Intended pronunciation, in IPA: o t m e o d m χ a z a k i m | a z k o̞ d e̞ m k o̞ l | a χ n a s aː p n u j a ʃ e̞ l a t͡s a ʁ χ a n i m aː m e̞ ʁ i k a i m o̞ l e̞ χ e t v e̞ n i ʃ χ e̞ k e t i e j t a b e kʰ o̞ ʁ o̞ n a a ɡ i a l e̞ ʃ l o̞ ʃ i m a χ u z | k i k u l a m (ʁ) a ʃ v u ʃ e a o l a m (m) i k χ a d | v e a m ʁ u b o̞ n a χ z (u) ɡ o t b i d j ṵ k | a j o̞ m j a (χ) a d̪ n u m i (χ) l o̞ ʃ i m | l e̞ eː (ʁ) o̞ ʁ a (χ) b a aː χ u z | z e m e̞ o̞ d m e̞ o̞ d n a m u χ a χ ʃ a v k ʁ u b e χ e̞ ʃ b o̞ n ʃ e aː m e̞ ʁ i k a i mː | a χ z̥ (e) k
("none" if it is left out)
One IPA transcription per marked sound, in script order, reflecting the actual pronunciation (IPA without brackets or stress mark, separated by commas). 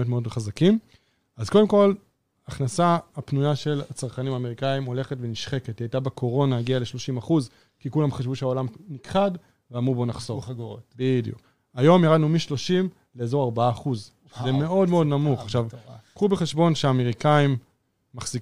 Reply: χ, n, o, ʁ, ʃ, z, ʁ, i